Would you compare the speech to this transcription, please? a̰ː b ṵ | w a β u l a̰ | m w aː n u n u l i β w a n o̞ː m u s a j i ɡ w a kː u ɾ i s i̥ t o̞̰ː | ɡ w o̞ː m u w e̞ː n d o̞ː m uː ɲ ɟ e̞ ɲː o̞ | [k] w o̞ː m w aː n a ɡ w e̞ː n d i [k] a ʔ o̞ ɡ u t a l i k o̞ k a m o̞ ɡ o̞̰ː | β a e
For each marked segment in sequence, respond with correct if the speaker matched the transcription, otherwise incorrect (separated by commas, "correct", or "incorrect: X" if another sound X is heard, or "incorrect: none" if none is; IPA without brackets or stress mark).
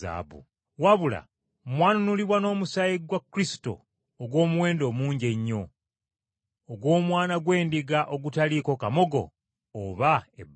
incorrect: ɡ, incorrect: ɡ